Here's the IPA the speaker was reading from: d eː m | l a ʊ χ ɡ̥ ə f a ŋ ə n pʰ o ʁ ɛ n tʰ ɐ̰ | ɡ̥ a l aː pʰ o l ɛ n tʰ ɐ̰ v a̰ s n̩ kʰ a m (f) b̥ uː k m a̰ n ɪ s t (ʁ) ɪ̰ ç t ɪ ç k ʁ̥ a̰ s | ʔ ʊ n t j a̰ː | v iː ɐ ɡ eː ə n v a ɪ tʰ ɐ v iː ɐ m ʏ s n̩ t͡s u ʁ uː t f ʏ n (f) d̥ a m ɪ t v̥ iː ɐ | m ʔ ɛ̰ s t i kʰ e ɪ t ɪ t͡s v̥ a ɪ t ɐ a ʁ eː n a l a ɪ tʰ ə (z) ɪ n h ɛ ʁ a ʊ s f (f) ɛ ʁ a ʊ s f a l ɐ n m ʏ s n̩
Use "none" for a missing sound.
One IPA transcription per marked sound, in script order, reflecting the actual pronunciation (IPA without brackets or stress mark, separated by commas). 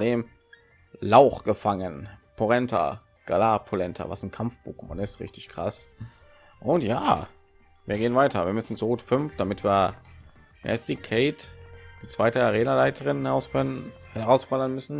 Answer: f, ʁ, f, ʁ, h